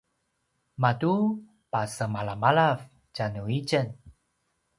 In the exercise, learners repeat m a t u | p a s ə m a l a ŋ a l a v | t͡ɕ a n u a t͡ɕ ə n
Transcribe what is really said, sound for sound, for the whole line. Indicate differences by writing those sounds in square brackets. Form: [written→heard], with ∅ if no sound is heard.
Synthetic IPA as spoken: m a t u | p a s ə m a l a [ŋ→m] a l a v | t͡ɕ a n u [a→i] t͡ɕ ə n